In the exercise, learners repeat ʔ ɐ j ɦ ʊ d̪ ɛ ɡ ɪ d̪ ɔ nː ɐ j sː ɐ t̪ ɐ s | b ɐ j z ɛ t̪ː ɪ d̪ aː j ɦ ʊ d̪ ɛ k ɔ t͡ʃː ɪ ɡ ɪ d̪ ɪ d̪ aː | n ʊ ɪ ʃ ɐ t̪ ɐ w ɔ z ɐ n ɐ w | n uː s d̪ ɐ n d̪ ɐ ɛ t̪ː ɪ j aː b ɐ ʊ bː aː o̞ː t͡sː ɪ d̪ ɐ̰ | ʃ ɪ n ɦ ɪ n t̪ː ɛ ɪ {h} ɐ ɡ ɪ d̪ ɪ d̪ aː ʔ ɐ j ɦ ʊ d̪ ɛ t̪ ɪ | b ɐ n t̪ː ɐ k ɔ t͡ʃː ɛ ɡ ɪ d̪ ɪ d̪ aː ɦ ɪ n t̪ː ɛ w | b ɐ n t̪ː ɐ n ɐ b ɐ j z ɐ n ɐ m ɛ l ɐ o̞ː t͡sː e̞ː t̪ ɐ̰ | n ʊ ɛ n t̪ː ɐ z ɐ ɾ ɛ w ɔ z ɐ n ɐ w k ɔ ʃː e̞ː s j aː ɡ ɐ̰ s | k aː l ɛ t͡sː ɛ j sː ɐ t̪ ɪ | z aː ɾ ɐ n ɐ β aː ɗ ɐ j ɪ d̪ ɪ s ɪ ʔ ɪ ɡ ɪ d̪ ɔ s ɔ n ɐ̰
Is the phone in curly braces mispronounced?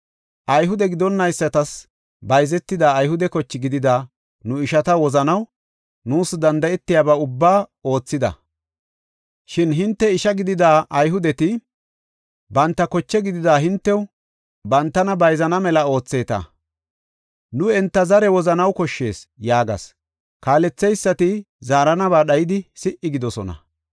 yes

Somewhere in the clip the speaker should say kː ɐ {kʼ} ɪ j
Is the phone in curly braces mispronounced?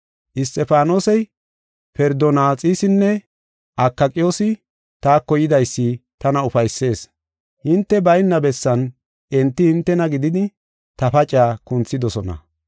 no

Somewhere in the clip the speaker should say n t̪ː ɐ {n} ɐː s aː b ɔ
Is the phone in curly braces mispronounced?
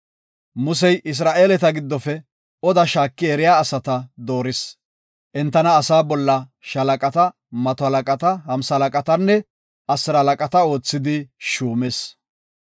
no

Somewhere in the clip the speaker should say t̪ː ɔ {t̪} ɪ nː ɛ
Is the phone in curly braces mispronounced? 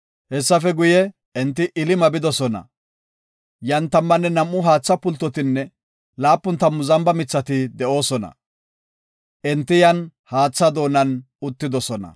no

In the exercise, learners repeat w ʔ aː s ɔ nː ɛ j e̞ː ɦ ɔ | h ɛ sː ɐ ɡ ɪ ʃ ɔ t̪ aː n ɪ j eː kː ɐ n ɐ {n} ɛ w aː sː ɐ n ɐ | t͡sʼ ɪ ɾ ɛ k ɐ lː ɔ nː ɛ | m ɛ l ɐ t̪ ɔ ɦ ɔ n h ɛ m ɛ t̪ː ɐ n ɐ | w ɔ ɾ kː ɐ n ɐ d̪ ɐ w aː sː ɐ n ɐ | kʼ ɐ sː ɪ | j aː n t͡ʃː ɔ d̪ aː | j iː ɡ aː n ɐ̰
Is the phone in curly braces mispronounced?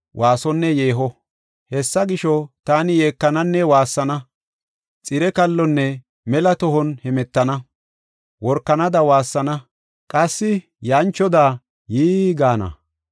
yes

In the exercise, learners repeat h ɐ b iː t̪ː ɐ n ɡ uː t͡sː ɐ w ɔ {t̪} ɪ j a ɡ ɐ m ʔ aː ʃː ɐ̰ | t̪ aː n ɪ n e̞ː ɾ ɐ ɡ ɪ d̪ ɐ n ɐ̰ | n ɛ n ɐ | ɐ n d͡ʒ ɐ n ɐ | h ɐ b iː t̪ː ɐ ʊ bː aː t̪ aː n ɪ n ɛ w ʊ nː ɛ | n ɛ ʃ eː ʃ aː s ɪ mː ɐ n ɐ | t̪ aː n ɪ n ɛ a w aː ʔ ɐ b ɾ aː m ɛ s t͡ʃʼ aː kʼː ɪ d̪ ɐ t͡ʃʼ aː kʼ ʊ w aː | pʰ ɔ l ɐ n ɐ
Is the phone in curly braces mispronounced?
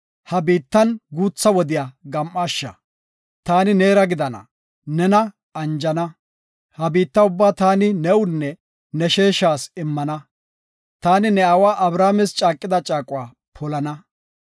yes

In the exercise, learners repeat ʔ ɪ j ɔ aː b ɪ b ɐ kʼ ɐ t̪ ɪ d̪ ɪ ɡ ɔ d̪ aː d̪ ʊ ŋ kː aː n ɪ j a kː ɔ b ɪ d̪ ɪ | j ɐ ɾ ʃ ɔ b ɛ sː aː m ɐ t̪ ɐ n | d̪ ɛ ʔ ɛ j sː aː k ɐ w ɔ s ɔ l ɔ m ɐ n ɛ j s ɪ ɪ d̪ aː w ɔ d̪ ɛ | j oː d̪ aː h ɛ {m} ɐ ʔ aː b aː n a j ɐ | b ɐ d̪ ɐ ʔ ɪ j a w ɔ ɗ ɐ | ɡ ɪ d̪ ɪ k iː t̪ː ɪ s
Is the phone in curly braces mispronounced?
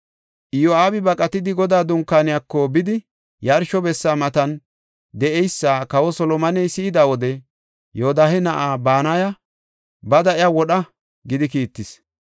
yes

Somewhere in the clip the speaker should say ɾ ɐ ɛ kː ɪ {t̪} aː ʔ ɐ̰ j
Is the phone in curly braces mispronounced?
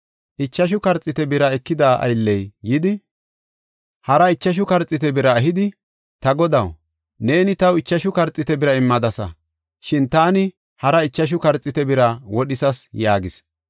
yes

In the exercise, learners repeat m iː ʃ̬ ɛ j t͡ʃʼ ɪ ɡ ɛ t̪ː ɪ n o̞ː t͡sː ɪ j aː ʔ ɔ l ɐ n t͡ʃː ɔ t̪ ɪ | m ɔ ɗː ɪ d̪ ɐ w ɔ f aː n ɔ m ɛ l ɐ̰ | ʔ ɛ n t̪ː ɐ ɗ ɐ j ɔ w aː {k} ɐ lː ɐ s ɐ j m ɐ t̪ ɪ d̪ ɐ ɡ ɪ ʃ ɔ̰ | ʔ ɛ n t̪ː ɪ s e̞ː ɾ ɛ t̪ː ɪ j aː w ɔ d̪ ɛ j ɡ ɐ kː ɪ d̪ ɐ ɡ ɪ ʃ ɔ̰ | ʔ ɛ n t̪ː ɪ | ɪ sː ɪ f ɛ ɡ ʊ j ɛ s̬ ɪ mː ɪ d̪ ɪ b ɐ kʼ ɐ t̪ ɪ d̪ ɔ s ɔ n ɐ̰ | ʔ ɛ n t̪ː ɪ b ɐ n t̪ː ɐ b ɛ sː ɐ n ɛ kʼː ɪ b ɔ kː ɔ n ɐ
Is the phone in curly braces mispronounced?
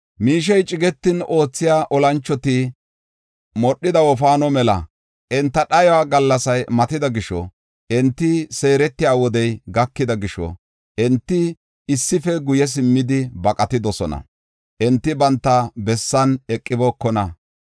yes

